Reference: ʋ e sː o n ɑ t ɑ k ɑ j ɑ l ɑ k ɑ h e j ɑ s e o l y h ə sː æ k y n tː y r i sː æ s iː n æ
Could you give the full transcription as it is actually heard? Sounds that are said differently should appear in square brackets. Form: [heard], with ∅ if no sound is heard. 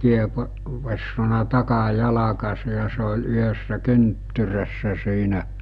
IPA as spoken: ʋ e sː o n ɑ t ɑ k ɑ j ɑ l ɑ k ɑ [s] e j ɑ s e o l y h ə sː æ k y n tː y r [æ] sː æ s iː n æ